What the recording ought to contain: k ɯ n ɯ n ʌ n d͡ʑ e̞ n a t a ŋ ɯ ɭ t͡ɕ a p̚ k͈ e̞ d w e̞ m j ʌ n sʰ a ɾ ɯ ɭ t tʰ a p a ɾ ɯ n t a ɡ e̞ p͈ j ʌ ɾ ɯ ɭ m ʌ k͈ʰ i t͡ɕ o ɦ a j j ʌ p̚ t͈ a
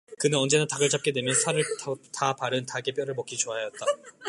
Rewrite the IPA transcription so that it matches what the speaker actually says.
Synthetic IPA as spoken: k ɯ n ɯ n ʌ n d͡ʑ e̞ n a t a ɡ ɯ ɭ t͡ɕ a p̚ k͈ e̞ d w e̞ m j ʌ n sʰ a ɾ ɯ ɭ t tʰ a p a ɾ ɯ n t a ɡ e̞ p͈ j ʌ ɾ ɯ ɭ m ʌ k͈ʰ i t͡ɕ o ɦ a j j ʌ t̚ t͈ a